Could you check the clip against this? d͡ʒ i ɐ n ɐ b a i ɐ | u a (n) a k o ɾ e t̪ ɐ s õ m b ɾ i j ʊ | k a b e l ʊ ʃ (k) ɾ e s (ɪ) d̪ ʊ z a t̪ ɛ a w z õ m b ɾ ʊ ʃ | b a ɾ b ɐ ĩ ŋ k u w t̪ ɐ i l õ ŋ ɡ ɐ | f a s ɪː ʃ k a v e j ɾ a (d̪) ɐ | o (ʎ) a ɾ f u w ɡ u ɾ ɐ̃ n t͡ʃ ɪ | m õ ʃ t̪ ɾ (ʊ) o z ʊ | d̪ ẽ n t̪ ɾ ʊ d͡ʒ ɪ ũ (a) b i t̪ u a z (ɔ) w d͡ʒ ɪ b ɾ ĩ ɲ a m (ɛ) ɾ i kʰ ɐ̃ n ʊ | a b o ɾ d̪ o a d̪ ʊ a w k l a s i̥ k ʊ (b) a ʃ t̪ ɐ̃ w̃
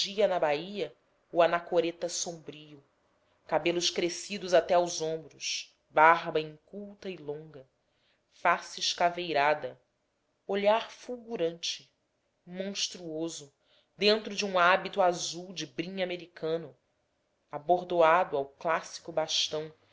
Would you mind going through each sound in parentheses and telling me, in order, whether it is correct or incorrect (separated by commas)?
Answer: correct, correct, incorrect, correct, correct, incorrect, correct, incorrect, incorrect, correct